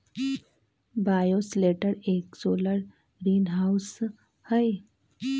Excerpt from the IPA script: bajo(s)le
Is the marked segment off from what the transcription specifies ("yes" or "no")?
no